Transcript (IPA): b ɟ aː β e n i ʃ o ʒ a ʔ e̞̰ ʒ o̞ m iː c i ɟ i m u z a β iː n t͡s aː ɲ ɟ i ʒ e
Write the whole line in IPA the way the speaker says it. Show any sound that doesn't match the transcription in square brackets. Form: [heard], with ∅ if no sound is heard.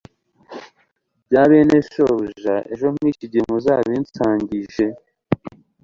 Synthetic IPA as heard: b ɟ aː β e n [e] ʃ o ʒ a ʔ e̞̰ ʒ o̞ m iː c i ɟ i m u z a β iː n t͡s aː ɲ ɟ i ʒ e